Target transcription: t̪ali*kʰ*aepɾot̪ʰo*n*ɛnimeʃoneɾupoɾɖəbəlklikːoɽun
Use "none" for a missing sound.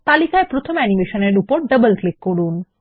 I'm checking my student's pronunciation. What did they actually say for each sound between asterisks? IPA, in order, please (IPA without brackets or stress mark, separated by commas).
k, m